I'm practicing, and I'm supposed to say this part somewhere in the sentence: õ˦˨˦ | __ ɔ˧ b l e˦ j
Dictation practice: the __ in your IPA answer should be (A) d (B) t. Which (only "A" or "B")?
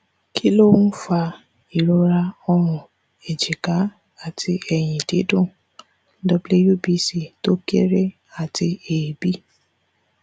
A